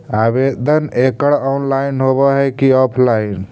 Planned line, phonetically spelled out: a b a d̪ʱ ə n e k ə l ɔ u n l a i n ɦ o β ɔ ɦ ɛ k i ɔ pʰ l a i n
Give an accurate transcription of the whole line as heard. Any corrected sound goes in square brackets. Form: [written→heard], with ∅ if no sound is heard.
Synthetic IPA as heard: a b [a→e] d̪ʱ ə n e k ə [l→ɽ] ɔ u n l a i n ɦ o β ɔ ɦ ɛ k i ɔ pʰ l a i n